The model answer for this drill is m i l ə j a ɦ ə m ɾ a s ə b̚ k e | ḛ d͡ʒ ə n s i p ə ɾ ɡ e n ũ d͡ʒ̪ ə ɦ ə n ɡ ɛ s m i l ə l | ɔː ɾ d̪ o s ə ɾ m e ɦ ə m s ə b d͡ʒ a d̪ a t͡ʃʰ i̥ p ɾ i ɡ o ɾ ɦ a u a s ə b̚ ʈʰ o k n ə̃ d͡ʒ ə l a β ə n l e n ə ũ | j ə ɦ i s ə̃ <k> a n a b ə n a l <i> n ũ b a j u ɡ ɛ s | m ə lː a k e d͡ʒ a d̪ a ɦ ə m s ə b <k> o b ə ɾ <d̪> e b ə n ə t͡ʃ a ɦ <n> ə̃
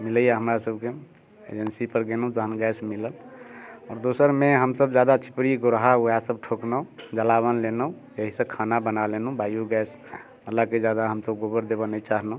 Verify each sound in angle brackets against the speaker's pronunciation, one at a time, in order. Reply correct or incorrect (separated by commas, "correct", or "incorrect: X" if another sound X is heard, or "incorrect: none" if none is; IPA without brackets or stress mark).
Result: incorrect: kʰ, incorrect: e, incorrect: ɡ, correct, correct